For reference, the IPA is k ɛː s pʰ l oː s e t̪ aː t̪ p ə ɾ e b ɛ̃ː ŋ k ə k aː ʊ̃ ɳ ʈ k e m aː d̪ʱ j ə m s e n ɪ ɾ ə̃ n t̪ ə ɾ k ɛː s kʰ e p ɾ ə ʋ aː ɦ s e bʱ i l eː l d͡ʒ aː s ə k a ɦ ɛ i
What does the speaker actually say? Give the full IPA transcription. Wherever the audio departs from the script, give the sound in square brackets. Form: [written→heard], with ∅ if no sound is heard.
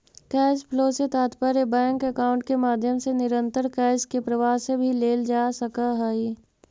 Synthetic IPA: k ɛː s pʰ l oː s e t̪ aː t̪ p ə ɾ e b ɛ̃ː ŋ k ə k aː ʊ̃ ɳ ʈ k e m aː d̪ʱ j ə m s e n ɪ ɾ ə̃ n t̪ ə ɾ k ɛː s [kʰ→k] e p ɾ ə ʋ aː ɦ s e bʱ i l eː l d͡ʒ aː s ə k a ɦ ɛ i